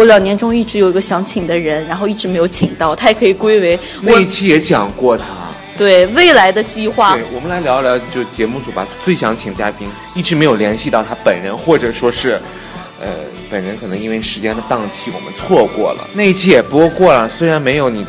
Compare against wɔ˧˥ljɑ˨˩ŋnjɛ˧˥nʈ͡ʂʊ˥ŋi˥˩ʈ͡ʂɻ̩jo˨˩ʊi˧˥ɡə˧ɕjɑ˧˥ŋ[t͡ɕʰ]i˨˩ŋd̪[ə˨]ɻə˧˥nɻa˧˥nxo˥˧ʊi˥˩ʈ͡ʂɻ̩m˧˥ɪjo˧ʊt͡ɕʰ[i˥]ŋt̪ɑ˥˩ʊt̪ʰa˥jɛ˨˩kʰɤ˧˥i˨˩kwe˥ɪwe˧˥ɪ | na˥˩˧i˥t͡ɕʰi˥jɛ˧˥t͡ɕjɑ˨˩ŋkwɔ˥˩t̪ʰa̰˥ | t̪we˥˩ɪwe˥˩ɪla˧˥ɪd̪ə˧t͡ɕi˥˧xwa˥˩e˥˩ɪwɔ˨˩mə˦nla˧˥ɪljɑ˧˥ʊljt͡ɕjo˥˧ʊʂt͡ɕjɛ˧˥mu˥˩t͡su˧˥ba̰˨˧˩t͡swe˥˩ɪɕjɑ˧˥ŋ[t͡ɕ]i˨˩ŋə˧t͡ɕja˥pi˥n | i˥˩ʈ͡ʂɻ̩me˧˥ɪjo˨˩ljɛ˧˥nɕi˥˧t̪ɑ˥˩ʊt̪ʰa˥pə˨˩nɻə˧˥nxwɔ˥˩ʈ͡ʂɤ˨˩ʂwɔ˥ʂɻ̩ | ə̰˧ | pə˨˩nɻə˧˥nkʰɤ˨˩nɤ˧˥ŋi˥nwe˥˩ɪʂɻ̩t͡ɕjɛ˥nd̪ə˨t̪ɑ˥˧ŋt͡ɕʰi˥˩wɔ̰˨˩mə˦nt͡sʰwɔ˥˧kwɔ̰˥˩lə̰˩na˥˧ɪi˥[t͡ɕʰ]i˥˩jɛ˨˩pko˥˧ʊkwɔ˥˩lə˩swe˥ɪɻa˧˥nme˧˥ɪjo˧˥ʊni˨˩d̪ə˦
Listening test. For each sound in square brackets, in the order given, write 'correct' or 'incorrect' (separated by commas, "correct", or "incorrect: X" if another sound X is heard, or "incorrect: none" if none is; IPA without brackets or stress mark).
correct, incorrect: ə˦, incorrect: i˨˩, incorrect: t͡ɕʰ, correct